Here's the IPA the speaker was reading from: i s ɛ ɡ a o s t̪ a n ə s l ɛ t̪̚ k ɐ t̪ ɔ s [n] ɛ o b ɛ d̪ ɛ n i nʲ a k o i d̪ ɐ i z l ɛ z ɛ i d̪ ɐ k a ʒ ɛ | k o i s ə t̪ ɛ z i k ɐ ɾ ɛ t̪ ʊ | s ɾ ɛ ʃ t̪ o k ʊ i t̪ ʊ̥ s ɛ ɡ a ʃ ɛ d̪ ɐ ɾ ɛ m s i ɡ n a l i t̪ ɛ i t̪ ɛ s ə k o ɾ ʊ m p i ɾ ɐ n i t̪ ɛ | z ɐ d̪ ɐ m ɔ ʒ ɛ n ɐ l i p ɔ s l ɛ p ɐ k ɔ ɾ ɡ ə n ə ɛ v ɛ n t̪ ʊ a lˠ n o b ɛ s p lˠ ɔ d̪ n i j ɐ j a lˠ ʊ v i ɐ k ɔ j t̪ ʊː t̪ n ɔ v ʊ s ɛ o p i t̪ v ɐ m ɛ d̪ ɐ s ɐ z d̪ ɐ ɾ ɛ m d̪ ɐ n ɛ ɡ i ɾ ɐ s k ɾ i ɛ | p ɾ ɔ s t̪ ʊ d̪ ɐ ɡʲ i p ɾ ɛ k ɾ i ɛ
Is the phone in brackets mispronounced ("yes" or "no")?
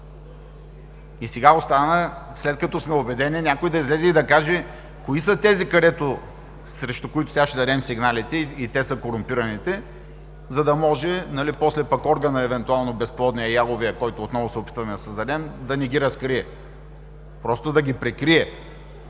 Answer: yes